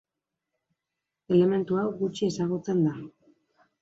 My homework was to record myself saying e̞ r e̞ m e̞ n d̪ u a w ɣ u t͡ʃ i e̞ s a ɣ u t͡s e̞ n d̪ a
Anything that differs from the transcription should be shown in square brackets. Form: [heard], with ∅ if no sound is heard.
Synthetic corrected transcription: e̞ [l] e̞ m e̞ n [t̪] u a w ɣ u t͡ʃ i e̞ s a ɣ u t͡s e̞ n d̪ a